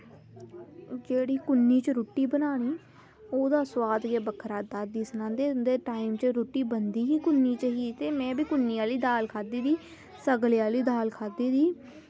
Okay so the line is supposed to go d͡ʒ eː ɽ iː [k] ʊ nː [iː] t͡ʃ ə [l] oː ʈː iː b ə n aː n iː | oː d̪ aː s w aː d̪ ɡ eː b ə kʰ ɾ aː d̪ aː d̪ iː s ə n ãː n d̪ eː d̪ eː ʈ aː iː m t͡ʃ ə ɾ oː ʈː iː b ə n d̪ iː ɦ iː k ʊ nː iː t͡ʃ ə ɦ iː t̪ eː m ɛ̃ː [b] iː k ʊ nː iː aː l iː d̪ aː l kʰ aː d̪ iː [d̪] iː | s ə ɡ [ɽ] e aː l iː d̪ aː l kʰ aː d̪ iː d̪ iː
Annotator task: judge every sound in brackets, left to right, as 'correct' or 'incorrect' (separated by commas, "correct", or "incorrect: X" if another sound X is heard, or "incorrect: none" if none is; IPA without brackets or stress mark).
correct, correct, incorrect: ɾ, correct, correct, incorrect: l